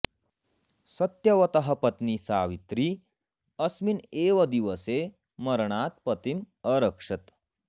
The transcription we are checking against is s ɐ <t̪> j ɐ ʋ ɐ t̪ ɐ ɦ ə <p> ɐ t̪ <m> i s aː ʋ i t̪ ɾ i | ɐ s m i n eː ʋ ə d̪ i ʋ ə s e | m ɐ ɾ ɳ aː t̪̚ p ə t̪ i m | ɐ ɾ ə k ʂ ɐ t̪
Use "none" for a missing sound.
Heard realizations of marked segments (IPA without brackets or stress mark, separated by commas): t̪, p, n